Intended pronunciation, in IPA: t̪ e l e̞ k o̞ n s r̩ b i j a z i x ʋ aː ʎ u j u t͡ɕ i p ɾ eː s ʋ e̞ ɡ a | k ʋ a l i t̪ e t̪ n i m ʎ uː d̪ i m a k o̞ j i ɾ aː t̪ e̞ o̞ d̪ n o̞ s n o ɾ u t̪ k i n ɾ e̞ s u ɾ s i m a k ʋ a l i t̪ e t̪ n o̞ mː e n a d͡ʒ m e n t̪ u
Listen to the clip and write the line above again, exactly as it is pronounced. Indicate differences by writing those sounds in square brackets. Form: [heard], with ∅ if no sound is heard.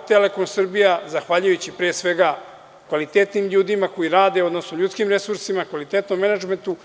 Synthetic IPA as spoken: t̪ e l e̞ k o̞ n s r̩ b i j a z [a] x ʋ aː ʎ u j u t͡ɕ i p ɾ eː s ʋ e̞ ɡ a | k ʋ a l i t̪ e t̪ n i m ʎ uː d̪ i m a k o̞ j i ɾ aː [d̪] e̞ o̞ d̪ n o̞ s n o [ʎ] u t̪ k i [m] ɾ e̞ s u ɾ s i m a k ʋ a l i t̪ e t̪ n o̞ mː e n a d͡ʒ m e n t̪ u